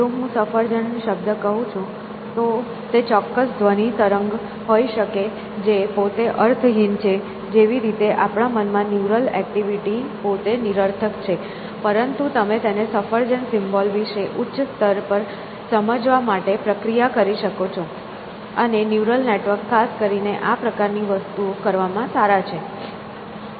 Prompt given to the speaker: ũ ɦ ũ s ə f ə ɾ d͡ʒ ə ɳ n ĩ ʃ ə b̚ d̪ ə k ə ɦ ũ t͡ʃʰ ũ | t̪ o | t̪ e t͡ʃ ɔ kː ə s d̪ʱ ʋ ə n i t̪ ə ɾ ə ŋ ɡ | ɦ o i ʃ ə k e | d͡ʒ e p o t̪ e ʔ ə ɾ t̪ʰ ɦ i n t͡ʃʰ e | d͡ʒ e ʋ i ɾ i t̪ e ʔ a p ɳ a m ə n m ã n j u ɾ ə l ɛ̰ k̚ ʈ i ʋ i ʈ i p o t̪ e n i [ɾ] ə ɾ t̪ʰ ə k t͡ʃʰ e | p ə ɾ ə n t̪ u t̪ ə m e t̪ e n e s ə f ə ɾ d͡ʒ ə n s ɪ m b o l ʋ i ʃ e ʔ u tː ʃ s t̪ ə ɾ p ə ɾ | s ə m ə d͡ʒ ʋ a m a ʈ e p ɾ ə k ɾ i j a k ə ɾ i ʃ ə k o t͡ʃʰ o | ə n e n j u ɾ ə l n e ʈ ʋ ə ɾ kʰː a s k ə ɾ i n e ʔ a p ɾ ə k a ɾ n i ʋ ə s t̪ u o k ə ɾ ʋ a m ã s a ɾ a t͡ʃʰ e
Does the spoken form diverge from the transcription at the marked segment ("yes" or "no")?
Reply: no